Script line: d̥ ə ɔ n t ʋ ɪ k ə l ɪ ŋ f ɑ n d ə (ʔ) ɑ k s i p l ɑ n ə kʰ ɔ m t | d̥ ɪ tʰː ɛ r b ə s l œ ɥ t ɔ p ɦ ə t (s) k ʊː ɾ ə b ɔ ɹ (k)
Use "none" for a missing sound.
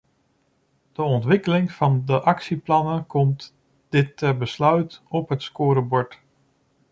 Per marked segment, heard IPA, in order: ʔ, s, t

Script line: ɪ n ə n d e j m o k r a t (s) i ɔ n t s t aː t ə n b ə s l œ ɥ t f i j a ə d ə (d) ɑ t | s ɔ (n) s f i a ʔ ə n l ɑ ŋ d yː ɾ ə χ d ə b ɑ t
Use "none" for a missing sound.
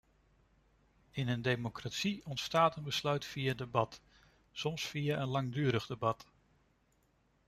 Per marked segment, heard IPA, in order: s, b, m

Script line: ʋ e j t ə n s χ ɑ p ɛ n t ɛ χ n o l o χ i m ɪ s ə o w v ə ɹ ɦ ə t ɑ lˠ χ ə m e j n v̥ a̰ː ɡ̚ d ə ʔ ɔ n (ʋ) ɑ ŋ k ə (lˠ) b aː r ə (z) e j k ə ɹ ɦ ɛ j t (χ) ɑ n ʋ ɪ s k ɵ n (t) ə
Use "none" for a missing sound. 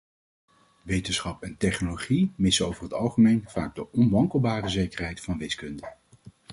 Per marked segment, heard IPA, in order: ʋ, lˠ, z, f, d

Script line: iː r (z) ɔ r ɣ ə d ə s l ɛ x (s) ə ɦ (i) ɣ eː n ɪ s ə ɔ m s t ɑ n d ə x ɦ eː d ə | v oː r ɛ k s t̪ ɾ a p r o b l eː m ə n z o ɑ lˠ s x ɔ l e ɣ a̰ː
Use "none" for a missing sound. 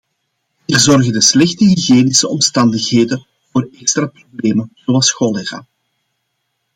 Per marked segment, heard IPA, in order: z, t, i

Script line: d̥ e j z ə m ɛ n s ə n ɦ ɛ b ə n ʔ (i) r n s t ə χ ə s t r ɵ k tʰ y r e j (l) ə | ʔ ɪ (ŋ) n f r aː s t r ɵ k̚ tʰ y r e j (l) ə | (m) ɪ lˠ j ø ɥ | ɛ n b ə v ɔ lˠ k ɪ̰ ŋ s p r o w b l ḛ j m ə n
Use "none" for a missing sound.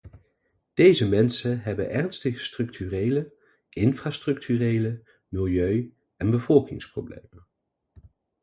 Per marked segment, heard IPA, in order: ɛ, l, none, l, m

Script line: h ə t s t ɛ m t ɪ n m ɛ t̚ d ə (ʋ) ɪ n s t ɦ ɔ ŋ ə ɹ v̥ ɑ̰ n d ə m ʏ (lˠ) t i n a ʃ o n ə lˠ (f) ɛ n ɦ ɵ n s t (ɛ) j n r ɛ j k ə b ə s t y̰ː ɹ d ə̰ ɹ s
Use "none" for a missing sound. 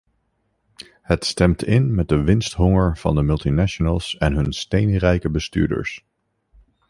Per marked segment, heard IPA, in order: ʋ, lˠ, s, e

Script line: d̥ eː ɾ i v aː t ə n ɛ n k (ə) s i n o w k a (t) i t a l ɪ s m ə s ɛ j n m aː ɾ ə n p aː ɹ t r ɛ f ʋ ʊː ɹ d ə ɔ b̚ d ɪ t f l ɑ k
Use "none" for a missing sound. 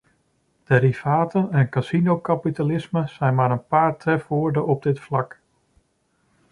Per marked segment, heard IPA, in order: a, p

